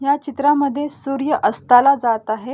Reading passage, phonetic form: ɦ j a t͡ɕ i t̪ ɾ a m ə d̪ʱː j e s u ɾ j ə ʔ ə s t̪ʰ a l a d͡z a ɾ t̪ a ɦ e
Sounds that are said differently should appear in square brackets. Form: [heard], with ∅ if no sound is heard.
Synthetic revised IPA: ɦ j a t͡ɕ i t̪ ɾ a m ə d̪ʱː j e s u ɾ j ə ʔ ə s [t̪] a l a d͡z a [∅] t̪ a ɦ e